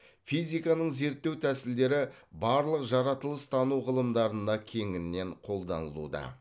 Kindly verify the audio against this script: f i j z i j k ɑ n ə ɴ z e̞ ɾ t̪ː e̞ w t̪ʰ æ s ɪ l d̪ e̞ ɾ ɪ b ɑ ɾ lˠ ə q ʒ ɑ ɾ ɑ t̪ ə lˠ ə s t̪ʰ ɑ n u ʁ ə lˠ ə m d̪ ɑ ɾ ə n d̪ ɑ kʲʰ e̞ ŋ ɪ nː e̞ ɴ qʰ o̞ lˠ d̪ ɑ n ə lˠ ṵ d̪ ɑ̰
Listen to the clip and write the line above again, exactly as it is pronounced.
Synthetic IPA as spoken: f i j z i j k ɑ n ə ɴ z e̞ ɾ t̪ː e̞ w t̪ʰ æ s ɪ l d̪ e̞ ɾ ɪ b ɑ ɾ lˠ ə q ʒ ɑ ɾ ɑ t̪ ə lˠ ə s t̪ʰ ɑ n u ʁ ə lˠ ə m d̪ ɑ ɾ ə n d̪ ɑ kʲʰ e̞ ŋ ɪ nː e̞ ɴ qʰ o̞ lˠ d̪ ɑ n ə lˠ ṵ d̪ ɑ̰